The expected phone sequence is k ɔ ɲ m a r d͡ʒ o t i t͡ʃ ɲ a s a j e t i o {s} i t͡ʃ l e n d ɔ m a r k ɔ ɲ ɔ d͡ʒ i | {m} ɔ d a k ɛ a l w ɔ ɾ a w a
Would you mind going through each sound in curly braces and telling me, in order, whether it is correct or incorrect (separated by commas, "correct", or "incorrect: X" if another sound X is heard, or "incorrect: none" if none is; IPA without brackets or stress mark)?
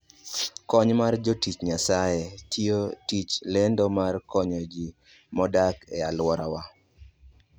incorrect: t, correct